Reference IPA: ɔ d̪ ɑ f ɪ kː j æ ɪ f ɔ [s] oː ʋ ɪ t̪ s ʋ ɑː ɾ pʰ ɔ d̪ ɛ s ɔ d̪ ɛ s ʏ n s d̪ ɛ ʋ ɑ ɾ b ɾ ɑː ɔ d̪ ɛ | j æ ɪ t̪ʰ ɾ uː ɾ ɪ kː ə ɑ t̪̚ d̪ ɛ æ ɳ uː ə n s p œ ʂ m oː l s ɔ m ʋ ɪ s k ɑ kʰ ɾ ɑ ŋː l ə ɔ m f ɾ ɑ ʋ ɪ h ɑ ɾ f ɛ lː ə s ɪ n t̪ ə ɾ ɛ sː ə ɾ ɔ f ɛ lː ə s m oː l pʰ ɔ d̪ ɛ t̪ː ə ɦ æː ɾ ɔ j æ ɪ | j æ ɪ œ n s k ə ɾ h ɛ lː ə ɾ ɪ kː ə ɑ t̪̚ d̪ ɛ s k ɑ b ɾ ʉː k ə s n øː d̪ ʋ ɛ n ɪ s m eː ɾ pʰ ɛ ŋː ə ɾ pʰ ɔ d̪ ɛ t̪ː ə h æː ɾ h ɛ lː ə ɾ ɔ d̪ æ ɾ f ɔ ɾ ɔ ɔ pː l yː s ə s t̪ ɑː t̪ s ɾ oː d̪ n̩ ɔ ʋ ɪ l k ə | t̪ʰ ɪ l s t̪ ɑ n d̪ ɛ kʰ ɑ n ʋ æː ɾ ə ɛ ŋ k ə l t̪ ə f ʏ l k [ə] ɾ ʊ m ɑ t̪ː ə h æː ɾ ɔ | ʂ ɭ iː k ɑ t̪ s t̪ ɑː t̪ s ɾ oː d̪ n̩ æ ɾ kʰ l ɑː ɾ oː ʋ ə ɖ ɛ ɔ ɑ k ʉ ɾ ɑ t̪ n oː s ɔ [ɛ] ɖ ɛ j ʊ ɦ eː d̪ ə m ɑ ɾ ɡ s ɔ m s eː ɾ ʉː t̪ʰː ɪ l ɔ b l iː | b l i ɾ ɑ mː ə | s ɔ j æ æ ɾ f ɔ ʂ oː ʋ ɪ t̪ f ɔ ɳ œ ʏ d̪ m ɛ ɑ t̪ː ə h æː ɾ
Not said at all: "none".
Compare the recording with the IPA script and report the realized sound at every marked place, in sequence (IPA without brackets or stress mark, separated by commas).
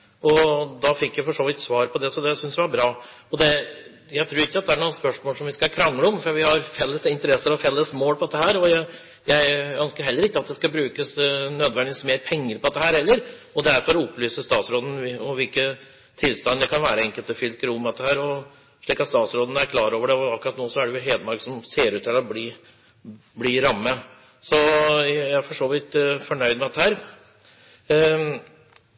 ʂ, ə, æ